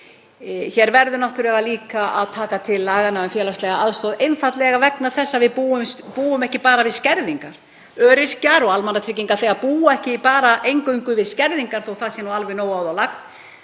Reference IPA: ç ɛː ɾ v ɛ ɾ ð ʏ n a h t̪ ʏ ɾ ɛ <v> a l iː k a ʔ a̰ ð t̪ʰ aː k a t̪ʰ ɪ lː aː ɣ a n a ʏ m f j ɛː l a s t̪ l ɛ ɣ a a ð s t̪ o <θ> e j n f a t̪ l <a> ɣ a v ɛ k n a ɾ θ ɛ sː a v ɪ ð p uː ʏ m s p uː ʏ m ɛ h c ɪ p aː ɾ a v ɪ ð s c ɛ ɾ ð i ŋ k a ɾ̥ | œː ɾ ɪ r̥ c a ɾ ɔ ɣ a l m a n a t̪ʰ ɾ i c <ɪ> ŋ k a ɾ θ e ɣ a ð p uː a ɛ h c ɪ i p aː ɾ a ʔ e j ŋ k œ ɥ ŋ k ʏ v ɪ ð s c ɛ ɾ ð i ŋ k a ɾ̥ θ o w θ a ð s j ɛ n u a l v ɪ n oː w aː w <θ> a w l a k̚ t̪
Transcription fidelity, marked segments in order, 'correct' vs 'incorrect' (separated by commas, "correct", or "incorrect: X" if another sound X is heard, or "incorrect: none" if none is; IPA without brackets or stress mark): correct, incorrect: ð, incorrect: ɛ, incorrect: i, incorrect: ð